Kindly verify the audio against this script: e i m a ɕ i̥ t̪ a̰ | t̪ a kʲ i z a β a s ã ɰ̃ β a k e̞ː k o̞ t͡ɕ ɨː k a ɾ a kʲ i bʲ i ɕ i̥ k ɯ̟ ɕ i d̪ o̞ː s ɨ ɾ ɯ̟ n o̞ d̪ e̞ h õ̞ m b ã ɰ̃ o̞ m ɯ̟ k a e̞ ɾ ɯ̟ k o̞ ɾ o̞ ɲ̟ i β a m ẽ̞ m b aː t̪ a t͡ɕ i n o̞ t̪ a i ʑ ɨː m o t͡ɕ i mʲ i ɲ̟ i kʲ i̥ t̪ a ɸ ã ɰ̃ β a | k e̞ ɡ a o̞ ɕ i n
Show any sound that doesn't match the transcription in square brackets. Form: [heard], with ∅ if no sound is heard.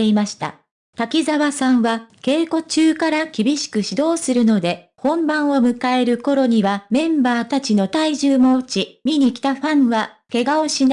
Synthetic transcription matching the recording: e i m a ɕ i̥ t̪ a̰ | t̪ a kʲ i z a β a s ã ɰ̃ β a k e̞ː k o̞ t͡ɕ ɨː k a ɾ a kʲ i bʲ i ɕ i̥ k ɯ̟ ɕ i d̪ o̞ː s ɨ ɾ ɯ̟ n o̞ d̪ e̞ h õ̞ m b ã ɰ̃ o̞ m ɯ̟ k a e̞ ɾ ɯ̟ k o̞ ɾ o̞ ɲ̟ i β a m ẽ̞ m b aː t̪ a t͡ɕ i n o̞ t̪ a i ʑ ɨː m o t͡ɕ i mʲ i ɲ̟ i kʲ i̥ t̪ a ɸ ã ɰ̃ β a | k e̞ ɡ a o̞ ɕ i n

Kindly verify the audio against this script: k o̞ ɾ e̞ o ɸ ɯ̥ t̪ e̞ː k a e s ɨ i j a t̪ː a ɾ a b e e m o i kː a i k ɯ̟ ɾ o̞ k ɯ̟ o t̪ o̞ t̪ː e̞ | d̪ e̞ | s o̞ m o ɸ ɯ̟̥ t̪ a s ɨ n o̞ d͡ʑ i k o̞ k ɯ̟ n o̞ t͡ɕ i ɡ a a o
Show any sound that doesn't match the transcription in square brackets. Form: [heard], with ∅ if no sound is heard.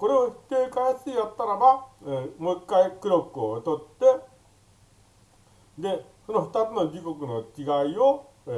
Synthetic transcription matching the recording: k o̞ ɾ e̞ o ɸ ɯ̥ t̪ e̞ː k a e s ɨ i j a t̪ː a ɾ a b [a] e m o i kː a i k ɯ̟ ɾ o̞ k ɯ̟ o t̪ o̞ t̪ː e̞ | d̪ e̞ | s o̞ [n] o ɸ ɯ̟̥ t̪ a [t͡s] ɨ n o̞ d͡ʑ i k o̞ k ɯ̟ n o̞ t͡ɕ i ɡ a [i] o

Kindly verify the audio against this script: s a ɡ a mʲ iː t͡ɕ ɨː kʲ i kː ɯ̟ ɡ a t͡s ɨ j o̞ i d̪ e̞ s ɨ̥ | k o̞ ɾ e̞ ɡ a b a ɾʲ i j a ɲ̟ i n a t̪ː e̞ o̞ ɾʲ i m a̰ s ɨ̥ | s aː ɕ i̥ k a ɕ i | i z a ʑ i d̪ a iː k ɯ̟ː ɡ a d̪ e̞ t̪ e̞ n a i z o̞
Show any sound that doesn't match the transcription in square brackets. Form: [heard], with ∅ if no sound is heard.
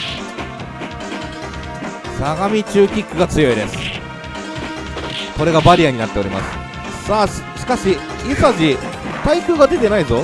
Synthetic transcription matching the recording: s a ɡ a mʲ [i] t͡ɕ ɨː kʲ i kː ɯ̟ ɡ a t͡s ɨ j o̞ i d̪ e̞ s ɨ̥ | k o̞ ɾ e̞ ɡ a b a ɾʲ i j a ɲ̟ i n a t̪ː e̞ o̞ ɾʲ i m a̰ s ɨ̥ | s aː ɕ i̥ k a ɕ i | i [s] a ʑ i [t̪] a [i] k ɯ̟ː ɡ a d̪ e̞ t̪ e̞ n a i z o̞

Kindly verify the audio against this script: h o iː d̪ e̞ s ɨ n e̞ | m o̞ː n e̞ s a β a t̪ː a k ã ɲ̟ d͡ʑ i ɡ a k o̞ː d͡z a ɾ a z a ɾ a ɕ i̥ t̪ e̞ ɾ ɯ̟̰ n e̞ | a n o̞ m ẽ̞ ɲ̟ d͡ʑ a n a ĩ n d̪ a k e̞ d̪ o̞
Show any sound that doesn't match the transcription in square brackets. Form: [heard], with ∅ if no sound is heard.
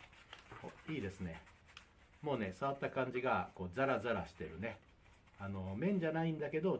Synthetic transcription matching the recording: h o iː d̪ e̞ s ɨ n e̞ | m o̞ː n e̞ s a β a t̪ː a k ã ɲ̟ d͡ʑ i ɡ a k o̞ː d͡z a ɾ a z a ɾ a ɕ i̥ t̪ e̞ ɾ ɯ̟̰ n e̞ | a n o̞ m ẽ̞ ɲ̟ d͡ʑ a n a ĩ n d̪ a k e̞ d̪ o̞

